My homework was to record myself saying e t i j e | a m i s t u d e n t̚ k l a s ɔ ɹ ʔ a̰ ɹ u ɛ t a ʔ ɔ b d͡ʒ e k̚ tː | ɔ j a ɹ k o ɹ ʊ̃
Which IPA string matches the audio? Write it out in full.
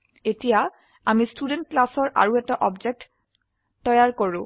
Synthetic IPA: e t i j a | a m i s t u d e n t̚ k l a s ɔ ɹ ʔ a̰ ɹ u ɛ t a ʔ ɔ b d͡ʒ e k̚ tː | ɔ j a ɹ k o ɹ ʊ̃